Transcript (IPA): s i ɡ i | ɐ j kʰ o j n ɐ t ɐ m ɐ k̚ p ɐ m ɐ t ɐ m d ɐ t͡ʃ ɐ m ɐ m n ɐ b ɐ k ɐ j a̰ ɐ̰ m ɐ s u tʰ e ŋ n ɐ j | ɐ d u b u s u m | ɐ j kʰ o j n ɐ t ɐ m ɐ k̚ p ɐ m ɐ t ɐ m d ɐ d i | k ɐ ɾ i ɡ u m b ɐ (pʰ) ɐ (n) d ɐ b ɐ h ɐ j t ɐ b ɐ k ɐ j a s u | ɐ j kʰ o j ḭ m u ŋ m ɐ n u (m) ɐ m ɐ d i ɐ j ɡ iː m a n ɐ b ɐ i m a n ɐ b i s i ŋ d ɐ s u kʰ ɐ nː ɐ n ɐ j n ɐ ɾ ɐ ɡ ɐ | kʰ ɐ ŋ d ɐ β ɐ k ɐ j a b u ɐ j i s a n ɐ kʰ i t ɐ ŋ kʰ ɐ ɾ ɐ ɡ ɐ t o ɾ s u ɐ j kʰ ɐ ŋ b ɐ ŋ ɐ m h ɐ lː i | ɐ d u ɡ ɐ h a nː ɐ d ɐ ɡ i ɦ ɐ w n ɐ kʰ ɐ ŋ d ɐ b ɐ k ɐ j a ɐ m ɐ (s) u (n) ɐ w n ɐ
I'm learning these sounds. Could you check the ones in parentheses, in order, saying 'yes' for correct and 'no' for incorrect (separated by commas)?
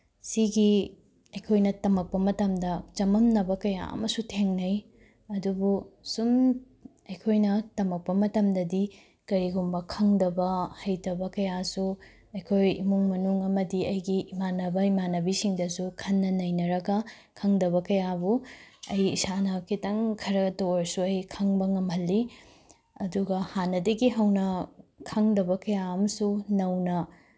no, no, no, yes, yes